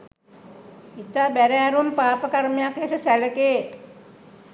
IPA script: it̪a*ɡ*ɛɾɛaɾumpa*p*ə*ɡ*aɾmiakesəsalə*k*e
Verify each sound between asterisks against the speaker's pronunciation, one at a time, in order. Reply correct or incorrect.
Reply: incorrect, correct, incorrect, correct

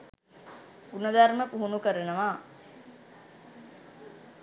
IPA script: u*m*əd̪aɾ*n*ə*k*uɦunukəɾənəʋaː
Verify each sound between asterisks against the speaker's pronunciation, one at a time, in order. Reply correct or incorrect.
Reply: incorrect, incorrect, incorrect

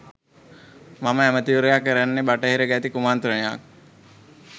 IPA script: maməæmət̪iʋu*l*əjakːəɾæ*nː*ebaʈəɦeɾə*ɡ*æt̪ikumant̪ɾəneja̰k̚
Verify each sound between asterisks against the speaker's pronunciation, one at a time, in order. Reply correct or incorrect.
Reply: incorrect, correct, correct

